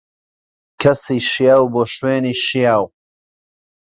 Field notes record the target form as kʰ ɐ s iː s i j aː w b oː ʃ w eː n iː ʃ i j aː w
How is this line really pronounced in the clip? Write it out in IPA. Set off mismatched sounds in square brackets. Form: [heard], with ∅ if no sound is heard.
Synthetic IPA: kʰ ɐ s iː [ʃ] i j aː w b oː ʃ w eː n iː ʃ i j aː w